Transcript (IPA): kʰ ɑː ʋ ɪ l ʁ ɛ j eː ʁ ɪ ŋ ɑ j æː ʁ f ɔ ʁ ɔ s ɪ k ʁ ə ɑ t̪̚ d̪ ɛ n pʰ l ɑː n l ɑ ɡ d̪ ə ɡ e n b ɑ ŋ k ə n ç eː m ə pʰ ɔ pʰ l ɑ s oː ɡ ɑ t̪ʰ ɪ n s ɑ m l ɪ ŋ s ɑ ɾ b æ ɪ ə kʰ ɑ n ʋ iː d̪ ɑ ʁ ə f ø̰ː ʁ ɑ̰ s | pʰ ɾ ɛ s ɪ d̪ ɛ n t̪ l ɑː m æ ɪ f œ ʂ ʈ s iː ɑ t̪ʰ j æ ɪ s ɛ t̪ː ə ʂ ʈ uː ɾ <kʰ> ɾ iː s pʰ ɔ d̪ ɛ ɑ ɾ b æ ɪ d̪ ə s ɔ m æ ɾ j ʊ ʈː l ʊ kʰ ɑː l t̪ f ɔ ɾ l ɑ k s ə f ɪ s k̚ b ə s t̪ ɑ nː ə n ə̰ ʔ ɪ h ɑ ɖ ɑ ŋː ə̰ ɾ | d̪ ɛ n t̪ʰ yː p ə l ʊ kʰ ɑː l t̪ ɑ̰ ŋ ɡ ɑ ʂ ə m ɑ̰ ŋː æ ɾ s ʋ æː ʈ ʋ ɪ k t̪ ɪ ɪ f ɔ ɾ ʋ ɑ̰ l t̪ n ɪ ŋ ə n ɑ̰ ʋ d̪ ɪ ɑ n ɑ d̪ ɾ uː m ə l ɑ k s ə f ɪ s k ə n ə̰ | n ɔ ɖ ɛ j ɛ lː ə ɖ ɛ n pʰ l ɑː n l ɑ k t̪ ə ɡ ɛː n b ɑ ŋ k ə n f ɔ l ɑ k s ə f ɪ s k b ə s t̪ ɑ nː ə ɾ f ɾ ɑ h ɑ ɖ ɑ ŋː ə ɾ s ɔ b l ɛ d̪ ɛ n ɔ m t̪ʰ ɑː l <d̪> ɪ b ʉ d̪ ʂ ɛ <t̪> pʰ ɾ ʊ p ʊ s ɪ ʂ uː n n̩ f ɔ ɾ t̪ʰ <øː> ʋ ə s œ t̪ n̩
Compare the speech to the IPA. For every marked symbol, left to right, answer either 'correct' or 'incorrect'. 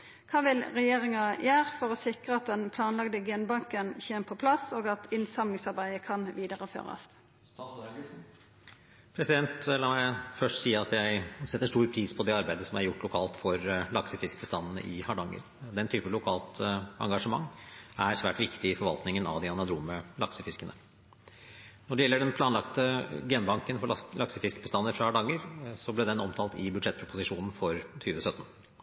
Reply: incorrect: pʰ, incorrect: t̪, correct, incorrect: yː

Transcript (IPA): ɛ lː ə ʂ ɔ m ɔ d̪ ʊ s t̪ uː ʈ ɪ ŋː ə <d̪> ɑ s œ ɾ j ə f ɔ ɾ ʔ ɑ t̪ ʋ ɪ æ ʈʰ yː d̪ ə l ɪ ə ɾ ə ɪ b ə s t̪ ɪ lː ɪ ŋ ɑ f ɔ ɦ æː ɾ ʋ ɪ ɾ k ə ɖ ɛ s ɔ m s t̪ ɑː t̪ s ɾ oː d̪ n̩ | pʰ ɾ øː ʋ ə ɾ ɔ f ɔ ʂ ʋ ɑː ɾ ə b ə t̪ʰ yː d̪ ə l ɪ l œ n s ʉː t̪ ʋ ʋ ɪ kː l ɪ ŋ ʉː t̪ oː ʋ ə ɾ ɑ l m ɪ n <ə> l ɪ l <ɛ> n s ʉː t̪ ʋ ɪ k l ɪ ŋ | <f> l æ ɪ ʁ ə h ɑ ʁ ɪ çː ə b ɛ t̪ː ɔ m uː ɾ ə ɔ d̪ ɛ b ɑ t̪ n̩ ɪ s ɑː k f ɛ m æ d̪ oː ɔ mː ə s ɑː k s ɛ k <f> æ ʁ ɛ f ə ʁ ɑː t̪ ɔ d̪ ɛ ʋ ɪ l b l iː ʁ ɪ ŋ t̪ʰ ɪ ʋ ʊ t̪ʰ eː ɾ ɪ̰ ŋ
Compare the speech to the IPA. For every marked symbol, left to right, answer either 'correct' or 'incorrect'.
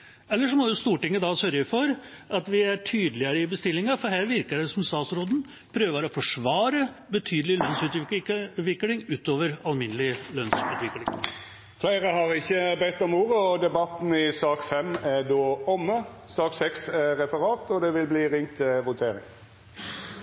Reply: correct, correct, incorrect: œ, correct, incorrect: s

